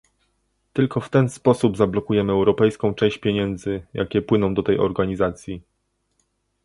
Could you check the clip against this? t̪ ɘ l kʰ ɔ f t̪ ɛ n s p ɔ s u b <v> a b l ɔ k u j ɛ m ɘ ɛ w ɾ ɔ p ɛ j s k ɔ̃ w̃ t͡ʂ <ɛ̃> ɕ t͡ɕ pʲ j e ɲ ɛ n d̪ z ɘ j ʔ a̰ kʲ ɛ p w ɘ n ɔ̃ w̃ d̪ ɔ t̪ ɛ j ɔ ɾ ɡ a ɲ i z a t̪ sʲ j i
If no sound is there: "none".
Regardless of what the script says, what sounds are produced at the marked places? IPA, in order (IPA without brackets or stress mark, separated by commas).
z, ɛ̃